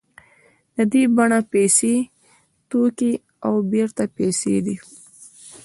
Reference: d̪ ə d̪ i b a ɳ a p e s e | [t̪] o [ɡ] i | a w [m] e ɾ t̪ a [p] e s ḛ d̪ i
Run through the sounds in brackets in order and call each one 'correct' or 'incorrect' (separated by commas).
correct, incorrect, incorrect, correct